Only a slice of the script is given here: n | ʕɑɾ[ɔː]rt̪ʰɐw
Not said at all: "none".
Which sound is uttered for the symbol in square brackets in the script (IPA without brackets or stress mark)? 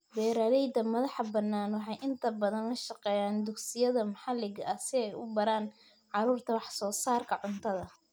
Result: uː